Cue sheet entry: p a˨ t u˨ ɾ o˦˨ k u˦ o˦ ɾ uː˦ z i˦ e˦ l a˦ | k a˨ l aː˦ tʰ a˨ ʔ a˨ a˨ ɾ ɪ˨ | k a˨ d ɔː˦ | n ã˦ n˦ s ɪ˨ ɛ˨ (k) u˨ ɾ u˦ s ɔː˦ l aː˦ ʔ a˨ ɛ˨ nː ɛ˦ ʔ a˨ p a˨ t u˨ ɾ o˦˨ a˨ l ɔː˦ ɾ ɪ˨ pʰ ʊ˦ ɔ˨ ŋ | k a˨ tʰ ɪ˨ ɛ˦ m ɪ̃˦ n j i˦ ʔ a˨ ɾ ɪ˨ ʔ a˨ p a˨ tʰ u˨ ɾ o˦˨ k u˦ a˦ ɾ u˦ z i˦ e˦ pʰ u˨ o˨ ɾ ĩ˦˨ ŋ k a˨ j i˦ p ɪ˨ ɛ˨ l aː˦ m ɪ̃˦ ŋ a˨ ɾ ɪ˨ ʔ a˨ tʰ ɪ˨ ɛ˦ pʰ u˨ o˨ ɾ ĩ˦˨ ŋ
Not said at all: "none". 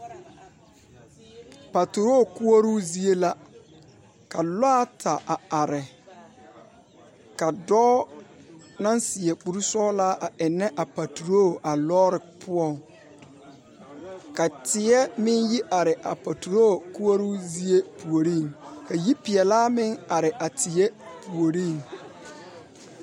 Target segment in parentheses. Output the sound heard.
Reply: k͡p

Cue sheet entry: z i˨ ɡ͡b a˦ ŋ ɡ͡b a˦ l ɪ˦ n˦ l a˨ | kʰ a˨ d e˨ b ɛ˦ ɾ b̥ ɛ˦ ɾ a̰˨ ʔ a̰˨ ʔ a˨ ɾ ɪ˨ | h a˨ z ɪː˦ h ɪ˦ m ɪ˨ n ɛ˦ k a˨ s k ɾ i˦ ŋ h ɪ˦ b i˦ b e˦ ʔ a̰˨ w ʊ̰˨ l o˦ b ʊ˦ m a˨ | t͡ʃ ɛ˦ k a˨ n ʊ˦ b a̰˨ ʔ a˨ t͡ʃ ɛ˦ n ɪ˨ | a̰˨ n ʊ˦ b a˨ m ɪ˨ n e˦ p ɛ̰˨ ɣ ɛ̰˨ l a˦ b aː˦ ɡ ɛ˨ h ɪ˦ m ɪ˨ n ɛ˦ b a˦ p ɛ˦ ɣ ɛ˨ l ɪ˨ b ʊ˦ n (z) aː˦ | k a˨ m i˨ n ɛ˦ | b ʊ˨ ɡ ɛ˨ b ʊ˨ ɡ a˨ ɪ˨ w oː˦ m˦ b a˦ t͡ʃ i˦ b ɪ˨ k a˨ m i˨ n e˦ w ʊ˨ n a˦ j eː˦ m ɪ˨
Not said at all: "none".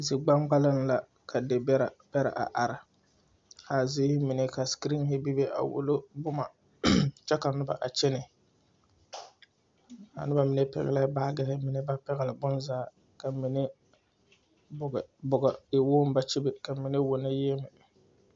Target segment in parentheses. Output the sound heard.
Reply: z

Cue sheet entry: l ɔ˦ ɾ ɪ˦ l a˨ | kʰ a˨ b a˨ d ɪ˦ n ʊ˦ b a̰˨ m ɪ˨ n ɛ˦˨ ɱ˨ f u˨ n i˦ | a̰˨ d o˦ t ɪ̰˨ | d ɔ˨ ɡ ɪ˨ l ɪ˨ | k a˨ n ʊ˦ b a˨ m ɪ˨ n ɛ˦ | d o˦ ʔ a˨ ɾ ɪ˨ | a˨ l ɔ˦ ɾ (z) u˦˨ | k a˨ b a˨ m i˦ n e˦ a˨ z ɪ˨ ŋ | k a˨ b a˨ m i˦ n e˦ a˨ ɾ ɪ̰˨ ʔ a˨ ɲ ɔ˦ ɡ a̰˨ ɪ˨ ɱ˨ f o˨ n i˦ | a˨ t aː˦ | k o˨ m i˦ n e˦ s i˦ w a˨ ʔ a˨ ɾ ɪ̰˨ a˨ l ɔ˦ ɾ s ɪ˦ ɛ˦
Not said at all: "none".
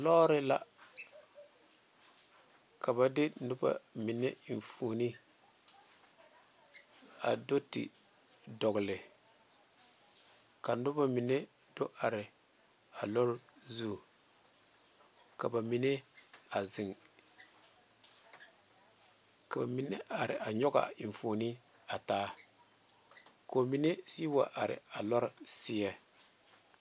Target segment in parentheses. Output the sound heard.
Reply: z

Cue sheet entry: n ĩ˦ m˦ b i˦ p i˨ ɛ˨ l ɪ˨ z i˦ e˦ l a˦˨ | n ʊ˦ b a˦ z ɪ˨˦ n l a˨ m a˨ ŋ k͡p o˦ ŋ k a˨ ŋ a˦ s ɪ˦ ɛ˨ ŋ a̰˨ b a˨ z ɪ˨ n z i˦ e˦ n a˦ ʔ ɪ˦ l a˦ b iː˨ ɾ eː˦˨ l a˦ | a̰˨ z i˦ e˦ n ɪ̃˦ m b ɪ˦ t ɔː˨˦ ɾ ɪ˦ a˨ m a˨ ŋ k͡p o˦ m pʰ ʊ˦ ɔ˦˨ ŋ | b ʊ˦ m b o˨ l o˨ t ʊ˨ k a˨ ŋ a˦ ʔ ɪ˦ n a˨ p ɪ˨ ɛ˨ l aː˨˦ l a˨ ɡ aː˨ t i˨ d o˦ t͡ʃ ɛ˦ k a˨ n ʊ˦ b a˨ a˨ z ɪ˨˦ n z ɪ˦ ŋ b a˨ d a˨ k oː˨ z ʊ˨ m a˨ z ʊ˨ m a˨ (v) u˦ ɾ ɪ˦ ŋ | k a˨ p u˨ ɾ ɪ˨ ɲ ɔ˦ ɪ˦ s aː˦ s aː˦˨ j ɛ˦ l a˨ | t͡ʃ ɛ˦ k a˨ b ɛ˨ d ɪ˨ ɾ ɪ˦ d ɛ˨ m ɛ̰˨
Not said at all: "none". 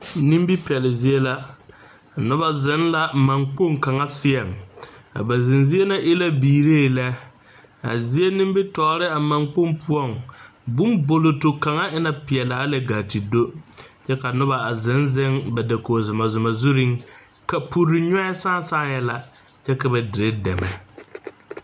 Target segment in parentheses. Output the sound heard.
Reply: z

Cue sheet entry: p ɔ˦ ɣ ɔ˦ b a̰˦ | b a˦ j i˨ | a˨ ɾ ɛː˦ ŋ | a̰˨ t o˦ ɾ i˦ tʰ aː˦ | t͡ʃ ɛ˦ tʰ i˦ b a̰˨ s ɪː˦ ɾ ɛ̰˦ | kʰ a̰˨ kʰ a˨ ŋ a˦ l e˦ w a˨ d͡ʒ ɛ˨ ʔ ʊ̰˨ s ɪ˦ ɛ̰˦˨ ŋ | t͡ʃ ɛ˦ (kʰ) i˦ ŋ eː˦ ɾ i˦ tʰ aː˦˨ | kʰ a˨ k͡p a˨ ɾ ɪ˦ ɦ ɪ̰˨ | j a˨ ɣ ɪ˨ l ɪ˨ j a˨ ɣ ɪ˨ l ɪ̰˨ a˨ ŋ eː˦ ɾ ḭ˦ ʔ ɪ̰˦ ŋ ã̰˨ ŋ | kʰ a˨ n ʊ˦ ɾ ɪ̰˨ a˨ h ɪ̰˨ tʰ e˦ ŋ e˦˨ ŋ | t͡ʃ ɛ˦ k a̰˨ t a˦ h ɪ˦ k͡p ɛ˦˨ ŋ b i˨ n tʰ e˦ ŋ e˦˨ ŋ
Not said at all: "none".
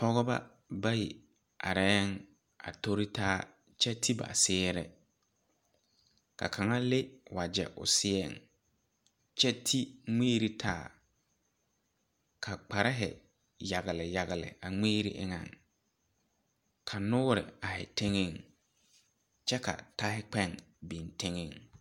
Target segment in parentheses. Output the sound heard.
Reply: tʰ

